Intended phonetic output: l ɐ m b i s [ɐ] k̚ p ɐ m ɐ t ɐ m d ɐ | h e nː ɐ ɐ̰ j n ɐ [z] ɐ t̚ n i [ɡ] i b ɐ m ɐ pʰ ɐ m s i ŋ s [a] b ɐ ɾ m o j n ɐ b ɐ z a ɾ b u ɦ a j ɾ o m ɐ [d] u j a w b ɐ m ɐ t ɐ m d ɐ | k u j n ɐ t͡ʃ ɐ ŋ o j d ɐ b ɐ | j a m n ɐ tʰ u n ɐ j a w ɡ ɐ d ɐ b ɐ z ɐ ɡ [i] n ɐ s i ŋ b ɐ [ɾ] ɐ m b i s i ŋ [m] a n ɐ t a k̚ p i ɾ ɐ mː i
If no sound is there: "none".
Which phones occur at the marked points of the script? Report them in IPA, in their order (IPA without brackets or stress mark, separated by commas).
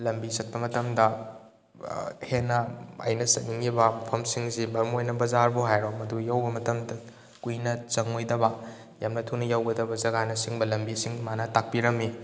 ɐ, s, ŋ, i, d, a, l, m